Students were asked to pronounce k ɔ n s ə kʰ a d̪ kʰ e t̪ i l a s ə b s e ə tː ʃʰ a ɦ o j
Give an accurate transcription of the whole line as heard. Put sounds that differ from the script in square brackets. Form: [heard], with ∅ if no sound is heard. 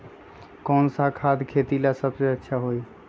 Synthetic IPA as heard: k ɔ n s [a] kʰ a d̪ kʰ e t̪ i l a s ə b s e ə tː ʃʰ a ɦ o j